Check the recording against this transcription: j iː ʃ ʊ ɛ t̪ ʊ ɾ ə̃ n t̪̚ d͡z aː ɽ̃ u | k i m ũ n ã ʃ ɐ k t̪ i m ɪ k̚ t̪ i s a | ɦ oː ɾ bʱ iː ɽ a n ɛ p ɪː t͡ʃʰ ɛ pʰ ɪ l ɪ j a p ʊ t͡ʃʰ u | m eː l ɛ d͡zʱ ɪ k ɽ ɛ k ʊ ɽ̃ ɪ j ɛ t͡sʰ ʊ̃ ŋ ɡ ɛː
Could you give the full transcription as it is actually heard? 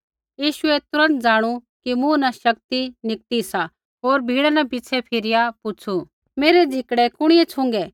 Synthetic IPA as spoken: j iː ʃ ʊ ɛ t̪ ʊ ɾ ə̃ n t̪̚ d͡z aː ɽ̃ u | k i m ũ n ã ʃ ɐ k t̪ i n ɪ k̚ t̪ i s a | ɦ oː ɾ bʱ iː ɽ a n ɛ p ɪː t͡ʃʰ ɛ pʰ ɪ ɾ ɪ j a p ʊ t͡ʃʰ u | m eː ɾ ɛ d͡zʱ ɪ k ɽ ɛ k ʊ ɽ̃ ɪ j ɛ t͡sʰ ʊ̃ ŋ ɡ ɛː